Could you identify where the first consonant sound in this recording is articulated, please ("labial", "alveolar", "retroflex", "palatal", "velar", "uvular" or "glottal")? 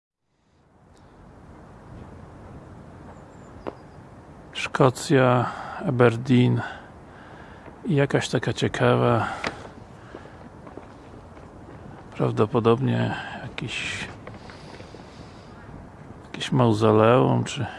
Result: retroflex